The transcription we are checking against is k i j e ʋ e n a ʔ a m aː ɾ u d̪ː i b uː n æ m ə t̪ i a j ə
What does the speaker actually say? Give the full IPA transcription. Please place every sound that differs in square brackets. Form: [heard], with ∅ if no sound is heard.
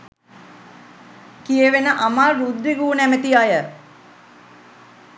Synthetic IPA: k i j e ʋ e n [ə] ʔ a m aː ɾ u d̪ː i [ɡ] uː n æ m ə t̪ i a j ə